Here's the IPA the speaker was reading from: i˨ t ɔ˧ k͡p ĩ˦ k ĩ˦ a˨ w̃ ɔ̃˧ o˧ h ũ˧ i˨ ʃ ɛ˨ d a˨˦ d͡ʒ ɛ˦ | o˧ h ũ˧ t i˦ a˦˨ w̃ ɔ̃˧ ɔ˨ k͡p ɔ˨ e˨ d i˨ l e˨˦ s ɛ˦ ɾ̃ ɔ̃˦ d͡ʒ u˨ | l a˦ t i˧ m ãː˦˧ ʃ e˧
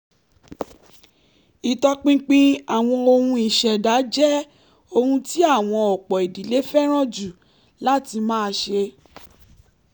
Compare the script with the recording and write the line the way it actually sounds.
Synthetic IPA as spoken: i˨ t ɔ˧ k͡p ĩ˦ k͡p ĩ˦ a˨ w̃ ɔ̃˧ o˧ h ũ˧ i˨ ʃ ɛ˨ d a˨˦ d͡ʒ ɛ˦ | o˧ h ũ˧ t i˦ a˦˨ w̃ ɔ̃˧ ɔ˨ k͡p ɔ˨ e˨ d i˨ l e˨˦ f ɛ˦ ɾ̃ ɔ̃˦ d͡ʒ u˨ | l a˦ t i˧ m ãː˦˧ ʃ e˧

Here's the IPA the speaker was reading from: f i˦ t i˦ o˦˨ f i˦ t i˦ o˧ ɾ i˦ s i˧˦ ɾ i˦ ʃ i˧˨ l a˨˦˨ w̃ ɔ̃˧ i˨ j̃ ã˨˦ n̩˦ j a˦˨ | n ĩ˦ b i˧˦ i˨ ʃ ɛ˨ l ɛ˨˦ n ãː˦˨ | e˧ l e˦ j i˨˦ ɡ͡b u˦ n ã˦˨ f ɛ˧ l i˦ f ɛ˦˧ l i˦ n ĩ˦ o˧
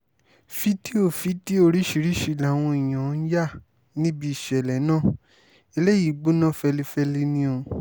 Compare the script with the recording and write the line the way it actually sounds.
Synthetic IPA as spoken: f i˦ t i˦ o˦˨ f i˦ t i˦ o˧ ɾ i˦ ʃ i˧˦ ɾ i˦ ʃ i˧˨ l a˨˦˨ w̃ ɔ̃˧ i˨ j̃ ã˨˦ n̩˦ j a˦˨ | n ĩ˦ b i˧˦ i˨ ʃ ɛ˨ l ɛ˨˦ n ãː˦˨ | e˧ l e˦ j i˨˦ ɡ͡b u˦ n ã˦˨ f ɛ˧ l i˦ f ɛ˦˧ l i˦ n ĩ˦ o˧

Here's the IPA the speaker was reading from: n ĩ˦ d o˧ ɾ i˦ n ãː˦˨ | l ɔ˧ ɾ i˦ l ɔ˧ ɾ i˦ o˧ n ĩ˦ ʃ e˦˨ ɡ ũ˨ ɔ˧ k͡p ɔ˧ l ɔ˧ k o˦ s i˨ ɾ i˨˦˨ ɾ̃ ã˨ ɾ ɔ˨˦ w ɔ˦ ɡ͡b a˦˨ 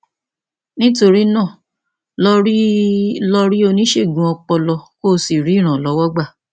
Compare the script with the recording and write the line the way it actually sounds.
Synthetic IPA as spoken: n ĩ˦ t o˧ ɾ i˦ n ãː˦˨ | l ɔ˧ ɾ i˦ l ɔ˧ ɾ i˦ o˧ n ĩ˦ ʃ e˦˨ ɡ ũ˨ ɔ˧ k͡p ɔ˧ l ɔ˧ k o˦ s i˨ ɾ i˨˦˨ ɾ̃ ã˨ l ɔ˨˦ w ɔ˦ ɡ͡b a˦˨

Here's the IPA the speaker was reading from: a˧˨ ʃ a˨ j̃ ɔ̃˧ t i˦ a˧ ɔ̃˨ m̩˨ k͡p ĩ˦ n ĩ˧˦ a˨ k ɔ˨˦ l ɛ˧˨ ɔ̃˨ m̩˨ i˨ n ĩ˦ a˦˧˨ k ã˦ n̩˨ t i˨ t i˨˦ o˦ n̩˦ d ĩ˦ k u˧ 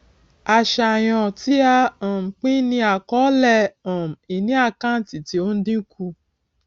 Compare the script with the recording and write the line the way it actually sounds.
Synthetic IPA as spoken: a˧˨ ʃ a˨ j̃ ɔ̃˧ t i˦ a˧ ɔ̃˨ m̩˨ k͡p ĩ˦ n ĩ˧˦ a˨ k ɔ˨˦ l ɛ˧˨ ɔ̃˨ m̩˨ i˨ n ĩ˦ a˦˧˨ k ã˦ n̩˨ t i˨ t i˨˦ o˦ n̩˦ d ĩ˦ k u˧

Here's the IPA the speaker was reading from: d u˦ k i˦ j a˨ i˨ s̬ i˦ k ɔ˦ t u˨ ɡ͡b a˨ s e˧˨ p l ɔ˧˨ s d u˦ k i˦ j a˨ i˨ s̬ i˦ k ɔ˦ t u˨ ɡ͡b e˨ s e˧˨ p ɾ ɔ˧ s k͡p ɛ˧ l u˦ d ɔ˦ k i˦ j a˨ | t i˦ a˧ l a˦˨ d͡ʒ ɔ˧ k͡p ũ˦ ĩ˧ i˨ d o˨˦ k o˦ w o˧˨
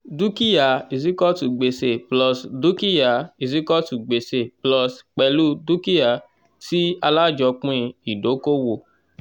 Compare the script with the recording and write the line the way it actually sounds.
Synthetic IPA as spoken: d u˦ k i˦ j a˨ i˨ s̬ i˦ k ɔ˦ t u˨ ɡ͡b e˨ s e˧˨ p l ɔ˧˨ s d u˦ k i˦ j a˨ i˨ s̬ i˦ k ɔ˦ t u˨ ɡ͡b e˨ s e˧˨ p l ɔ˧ s k͡p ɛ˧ l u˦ d u˦ k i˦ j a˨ | t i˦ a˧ l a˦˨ d͡ʒ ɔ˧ k͡p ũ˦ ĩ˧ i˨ d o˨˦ k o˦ w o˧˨

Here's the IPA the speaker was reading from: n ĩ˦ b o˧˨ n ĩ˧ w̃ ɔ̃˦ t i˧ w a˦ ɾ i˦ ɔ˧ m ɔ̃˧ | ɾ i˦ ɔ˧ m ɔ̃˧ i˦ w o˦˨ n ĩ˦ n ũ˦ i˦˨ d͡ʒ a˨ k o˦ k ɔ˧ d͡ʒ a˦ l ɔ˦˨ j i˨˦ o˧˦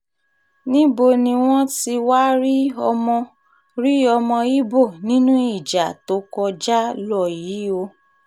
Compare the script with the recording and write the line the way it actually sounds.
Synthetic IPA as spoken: n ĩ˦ b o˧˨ n ĩ˧ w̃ ɔ̃˦ t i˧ w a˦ ɾ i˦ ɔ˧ m ɔ̃˧ | ɾ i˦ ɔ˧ m ɔ̃˧ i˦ b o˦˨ n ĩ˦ n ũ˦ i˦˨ d͡ʒ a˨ t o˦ k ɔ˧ d͡ʒ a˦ l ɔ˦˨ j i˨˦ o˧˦

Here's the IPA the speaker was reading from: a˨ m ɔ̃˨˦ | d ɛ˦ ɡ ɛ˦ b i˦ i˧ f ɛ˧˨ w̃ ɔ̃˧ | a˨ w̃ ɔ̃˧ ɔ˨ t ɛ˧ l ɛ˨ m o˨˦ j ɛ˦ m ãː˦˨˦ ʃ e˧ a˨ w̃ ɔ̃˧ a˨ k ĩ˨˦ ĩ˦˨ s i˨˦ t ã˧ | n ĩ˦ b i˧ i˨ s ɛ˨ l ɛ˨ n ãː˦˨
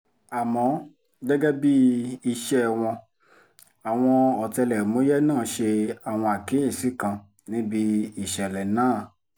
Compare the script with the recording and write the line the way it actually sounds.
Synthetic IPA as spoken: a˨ m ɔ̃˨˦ | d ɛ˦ ɡ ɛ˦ b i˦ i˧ ʃ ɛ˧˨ w̃ ɔ̃˧ | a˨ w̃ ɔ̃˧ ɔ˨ t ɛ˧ l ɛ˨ m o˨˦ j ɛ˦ n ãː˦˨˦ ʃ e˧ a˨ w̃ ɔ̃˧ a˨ k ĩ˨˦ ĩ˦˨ s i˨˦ k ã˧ | n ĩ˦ b i˧ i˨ ʃ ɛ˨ l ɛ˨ n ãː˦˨

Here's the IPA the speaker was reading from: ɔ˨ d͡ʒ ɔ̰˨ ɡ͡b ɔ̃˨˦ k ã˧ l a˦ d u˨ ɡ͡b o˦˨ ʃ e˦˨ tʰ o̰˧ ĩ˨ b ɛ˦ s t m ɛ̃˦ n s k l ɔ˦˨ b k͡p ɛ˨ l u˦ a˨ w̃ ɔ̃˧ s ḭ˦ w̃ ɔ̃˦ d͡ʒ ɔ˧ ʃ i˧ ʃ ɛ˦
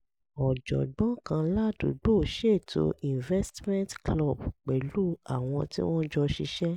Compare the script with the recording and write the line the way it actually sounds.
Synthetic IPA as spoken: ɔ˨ d͡ʒ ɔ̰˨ ɡ͡b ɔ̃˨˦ k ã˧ l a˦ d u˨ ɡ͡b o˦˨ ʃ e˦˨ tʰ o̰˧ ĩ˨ v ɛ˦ s t m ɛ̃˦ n t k l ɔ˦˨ b k͡p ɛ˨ l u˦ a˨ w̃ ɔ̃˧ t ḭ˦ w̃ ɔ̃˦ d͡ʒ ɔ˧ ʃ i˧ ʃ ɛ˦

